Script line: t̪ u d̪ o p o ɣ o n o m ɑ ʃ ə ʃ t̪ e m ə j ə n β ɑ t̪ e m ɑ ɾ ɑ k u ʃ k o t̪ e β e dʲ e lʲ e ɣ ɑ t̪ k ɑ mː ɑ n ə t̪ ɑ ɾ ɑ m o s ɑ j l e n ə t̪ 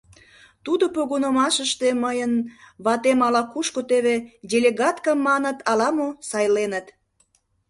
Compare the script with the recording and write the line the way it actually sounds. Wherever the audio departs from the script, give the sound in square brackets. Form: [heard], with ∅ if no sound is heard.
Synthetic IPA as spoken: t̪ u d̪ o p o ɣ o n o m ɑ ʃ ə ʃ t̪ e m ə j ə n β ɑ t̪ e m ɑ [l] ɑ k u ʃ k o t̪ e β e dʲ e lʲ e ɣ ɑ t̪ k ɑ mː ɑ n ə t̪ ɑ [l] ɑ m o s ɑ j l e n ə t̪